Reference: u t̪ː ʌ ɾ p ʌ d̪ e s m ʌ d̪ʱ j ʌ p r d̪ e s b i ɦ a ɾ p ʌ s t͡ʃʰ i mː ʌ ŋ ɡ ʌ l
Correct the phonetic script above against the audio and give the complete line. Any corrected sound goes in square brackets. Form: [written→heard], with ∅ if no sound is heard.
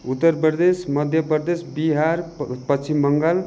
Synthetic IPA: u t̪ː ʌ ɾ p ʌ d̪ e s m ʌ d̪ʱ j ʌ p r d̪ e s b i ɦ a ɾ p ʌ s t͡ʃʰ i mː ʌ ŋ ɡ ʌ l